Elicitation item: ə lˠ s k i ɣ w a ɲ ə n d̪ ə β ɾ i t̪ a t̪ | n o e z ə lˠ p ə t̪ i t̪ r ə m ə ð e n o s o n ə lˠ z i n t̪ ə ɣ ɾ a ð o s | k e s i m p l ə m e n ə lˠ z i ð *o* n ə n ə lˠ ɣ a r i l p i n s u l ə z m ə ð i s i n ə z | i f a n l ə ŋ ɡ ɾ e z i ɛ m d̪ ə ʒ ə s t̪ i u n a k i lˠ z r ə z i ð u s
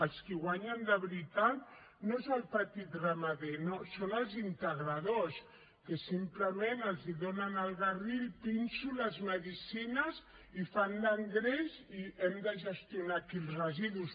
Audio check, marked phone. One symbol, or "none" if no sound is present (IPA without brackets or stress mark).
o